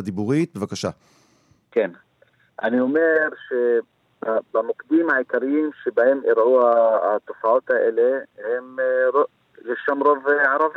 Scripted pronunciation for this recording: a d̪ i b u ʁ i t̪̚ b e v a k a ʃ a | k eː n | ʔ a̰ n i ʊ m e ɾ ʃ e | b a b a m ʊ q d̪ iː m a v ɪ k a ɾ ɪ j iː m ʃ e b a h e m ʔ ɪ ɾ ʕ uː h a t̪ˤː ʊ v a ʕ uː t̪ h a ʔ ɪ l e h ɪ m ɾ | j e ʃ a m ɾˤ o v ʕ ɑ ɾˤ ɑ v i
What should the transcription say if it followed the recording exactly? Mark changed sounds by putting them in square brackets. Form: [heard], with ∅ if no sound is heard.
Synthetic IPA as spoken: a d̪ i b u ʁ i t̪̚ b e v a k a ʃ a | k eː n | ʔ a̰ n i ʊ m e ɾ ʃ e | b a b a m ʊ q d̪ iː m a [ʕ] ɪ k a ɾ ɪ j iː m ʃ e b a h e m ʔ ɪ ɾ ʕ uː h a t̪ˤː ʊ [f] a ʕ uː t̪ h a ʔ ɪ l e h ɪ m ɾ | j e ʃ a m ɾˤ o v ʕ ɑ ɾˤ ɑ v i